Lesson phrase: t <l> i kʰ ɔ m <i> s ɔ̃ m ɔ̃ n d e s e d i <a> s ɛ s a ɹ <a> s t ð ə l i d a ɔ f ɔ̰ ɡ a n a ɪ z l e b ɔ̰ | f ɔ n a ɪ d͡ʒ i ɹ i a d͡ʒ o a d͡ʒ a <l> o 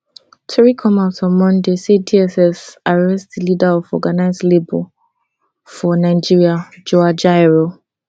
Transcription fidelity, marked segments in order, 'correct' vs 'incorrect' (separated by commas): incorrect, incorrect, incorrect, incorrect, incorrect